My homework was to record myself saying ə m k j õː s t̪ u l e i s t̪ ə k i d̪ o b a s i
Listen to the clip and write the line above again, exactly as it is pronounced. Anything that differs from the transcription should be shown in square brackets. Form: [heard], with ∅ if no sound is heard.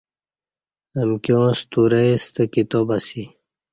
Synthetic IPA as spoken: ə m k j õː s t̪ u [ɾ] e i s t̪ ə k i [t̪] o b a s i